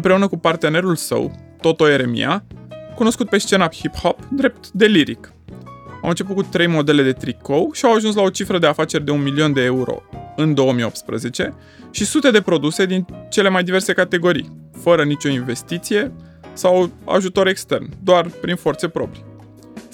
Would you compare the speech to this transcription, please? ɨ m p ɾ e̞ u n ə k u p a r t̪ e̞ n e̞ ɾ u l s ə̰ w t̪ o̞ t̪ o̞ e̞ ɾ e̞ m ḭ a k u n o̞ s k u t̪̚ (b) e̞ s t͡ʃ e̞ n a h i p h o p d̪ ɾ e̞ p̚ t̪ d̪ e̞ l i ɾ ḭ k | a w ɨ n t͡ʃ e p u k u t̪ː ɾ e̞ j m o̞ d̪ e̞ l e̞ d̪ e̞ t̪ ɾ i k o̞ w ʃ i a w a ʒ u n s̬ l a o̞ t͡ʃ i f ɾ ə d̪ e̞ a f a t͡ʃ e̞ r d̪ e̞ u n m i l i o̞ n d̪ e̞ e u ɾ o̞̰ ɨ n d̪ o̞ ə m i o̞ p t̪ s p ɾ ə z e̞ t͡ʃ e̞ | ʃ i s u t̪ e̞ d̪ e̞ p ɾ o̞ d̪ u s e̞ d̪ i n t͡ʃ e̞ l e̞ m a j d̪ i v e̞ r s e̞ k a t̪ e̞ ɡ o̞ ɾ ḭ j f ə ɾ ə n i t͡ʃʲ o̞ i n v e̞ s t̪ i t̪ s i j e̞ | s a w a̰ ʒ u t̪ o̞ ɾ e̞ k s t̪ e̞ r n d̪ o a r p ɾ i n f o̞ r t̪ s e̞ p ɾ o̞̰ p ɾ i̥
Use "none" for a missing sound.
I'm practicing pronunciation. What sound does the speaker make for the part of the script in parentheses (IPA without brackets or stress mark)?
p